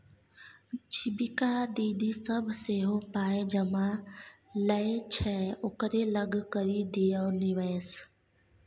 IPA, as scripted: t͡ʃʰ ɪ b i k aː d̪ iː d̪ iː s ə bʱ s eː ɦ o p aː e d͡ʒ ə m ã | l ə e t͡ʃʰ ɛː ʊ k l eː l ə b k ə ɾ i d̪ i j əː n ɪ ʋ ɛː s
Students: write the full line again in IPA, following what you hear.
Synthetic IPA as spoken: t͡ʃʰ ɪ b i k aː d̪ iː d̪ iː s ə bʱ s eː ɦ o p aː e d͡ʒ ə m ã | l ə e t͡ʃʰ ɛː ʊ k ɾ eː l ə ɡ k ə ɾ i d̪ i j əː n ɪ ʋ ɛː s